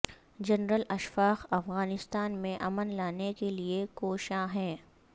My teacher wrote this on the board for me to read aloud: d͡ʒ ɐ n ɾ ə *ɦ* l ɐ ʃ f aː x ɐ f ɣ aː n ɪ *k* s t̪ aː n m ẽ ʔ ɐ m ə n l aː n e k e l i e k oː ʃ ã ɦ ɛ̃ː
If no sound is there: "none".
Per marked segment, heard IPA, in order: none, none

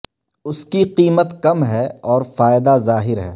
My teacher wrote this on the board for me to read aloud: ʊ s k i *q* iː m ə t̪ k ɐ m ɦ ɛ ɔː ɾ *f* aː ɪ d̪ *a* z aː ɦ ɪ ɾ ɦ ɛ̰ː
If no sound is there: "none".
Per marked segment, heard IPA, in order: q, f, a

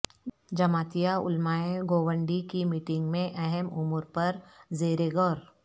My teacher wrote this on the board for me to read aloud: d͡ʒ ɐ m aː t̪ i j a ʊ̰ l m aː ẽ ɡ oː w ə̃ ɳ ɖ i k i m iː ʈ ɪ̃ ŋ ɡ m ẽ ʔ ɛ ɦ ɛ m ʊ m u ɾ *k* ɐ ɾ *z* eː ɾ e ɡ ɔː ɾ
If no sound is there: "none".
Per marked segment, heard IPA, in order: p, z

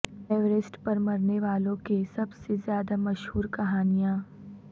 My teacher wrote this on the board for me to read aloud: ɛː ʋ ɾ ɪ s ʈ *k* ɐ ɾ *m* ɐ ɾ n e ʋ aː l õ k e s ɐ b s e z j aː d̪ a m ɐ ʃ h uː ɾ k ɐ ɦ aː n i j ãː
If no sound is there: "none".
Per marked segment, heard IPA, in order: p, m

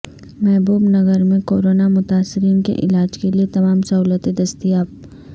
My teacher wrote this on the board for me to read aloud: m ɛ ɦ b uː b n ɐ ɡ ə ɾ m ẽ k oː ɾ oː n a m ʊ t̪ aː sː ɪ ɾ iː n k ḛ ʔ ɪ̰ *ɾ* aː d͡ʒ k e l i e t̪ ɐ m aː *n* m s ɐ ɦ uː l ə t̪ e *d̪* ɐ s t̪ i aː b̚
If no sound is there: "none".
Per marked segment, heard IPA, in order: l, none, d̪

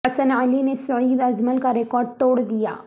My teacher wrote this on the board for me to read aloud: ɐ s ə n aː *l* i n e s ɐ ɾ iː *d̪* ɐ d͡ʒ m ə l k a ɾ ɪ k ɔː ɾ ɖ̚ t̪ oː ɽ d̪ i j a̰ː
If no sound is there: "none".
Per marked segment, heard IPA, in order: l, d̪

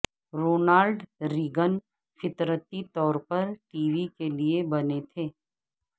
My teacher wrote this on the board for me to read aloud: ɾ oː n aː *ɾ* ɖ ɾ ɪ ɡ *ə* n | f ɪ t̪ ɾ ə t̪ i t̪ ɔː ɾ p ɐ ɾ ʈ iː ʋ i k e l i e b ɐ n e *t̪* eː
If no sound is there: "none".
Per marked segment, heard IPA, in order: l, ə, t̪ʰ

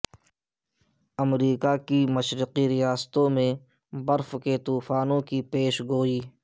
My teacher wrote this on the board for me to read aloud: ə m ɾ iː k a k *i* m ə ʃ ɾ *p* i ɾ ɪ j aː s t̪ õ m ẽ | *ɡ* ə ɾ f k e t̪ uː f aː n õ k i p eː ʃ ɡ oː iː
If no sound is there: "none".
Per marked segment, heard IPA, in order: i, q, b

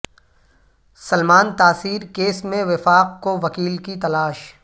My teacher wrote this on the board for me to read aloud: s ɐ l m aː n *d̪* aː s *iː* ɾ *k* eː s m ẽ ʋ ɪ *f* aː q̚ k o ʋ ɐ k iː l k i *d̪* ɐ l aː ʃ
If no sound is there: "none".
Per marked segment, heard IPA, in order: t̪, iː, k, f, t̪

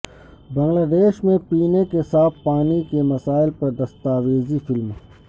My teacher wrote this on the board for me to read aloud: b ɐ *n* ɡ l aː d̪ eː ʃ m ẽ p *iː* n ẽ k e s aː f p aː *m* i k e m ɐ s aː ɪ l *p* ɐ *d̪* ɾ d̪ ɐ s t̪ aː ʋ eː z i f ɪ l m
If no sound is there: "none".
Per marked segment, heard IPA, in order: ŋ, iː, n, p, none

